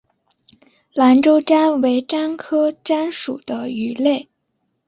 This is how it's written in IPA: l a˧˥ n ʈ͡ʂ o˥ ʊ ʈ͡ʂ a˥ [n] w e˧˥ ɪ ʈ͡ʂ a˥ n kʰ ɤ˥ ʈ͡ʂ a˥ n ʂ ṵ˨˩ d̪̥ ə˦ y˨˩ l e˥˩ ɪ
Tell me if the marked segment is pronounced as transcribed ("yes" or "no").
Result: yes